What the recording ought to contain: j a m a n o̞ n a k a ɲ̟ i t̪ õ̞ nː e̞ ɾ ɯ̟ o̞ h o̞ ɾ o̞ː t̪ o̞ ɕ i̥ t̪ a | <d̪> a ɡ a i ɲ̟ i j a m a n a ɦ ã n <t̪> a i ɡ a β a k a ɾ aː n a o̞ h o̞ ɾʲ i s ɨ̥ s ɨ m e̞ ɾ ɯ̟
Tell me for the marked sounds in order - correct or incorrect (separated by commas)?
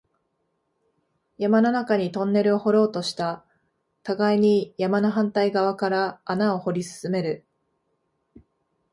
incorrect, correct